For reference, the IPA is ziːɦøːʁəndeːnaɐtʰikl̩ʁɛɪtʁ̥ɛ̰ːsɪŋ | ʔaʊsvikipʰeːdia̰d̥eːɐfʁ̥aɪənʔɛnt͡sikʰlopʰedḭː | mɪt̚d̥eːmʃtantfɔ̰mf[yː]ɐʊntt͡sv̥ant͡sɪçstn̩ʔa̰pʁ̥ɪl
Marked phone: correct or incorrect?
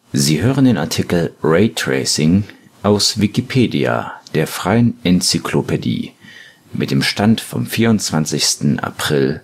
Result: incorrect: iː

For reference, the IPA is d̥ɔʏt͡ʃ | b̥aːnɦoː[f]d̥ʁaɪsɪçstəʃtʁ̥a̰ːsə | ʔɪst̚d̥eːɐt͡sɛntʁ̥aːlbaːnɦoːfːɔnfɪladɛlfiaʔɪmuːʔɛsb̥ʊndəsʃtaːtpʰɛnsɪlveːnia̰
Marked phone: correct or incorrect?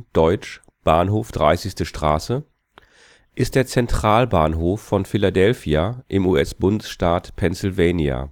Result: correct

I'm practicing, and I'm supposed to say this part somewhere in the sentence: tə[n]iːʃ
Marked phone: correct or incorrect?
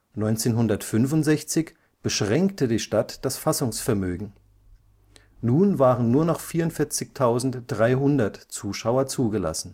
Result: incorrect: d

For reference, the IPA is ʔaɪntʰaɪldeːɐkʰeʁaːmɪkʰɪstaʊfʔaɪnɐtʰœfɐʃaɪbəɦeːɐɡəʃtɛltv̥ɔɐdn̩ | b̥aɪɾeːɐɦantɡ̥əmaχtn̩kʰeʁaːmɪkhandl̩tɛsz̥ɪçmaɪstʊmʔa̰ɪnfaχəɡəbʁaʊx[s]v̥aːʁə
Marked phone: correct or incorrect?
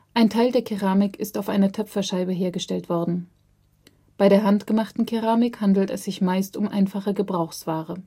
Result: correct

